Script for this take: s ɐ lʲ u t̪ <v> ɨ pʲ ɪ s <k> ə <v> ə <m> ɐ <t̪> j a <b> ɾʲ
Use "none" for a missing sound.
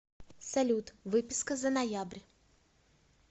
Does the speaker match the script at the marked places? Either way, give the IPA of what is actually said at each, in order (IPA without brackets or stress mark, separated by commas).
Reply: v, k, z, n, none, b